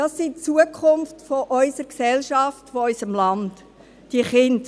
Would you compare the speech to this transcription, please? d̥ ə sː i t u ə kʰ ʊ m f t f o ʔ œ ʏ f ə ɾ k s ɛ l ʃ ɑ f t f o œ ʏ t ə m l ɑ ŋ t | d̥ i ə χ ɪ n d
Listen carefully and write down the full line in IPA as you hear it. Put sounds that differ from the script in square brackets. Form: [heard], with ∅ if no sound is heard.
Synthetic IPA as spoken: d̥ [ɑ] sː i [t͡s] u ə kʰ ʊ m f t f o ʔ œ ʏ [s] ə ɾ k s ɛ l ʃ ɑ f t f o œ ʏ [s] ə m l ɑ [n] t | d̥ i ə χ ɪ n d